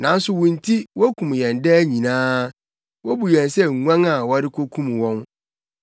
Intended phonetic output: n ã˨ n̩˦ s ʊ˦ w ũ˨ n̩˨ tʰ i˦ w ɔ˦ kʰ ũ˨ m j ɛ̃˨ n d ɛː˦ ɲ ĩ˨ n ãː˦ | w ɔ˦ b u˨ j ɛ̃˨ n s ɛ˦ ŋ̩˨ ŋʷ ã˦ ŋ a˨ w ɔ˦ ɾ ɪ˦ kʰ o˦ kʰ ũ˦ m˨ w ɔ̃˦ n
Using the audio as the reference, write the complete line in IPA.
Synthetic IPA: n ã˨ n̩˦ s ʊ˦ w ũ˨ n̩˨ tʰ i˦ w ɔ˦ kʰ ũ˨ m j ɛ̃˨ n d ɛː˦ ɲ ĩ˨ n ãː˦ | w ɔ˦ b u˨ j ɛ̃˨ n s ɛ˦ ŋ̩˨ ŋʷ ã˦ ŋ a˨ w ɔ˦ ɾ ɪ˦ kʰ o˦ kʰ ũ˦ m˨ w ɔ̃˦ n